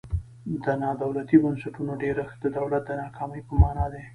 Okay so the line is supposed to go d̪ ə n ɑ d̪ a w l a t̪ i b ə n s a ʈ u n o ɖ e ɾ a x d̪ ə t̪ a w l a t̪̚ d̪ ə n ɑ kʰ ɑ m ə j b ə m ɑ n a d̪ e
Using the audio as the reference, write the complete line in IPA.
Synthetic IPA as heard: d̪ ə n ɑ d̪ a w l a t̪ i b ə n s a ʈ u n o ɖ e ɾ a x d̪ ə d̪ a w l a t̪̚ d̪ ə n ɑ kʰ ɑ m ə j p ə m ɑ n ɑ d̪ e